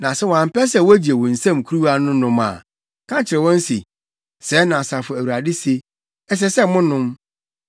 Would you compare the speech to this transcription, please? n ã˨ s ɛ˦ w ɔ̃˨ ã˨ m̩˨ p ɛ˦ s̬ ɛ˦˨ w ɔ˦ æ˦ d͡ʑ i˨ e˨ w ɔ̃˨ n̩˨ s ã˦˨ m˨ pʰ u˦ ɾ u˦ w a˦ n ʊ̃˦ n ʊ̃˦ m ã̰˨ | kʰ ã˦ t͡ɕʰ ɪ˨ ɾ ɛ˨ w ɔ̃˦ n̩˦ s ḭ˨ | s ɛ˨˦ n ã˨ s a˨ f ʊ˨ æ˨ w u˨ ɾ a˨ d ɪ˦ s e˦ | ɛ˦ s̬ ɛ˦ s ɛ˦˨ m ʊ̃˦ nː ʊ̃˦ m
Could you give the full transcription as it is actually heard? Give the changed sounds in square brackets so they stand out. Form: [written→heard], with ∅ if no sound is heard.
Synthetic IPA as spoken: n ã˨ s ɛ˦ w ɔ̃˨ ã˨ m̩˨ p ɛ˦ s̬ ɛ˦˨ w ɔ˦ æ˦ d͡ʑ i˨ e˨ w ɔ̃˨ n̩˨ s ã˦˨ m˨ [pʰ→kʰ] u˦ ɾ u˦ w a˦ n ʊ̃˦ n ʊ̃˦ m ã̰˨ | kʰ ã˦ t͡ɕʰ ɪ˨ ɾ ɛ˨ w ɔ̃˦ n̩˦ s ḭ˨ | s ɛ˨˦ n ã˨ s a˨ f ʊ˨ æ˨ w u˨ ɾ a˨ d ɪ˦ s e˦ | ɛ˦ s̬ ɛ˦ s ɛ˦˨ m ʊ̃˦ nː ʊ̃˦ m